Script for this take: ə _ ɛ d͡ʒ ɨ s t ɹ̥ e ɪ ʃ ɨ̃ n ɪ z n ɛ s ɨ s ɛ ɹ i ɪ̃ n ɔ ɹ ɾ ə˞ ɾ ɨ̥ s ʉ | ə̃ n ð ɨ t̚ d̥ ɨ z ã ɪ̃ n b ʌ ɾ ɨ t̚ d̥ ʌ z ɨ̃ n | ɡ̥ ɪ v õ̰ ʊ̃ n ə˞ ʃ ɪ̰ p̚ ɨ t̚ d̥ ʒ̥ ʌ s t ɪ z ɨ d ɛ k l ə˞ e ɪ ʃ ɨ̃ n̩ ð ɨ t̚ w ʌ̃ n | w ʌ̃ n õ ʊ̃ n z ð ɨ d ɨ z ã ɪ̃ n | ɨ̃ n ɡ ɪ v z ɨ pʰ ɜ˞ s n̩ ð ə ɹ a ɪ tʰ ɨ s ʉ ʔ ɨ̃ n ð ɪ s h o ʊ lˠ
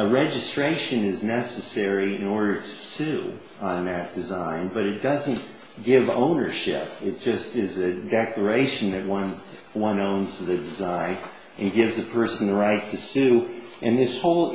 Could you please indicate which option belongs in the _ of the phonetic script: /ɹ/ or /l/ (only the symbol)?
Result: ɹ